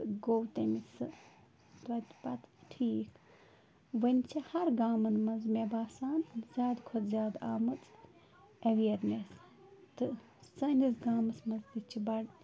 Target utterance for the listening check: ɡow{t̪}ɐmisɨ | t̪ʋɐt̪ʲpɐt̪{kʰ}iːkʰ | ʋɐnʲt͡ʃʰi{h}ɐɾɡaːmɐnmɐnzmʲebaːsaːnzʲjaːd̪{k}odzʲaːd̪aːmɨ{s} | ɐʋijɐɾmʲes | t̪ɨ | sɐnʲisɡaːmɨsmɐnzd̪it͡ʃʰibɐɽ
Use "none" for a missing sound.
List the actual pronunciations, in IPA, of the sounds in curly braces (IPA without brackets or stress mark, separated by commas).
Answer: t̪, ʈʰ, h, kʰ, t͡s